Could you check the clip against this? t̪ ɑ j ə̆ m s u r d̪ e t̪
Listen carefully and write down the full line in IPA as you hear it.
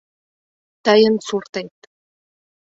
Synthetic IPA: t̪ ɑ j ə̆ n s u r t̪ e t̪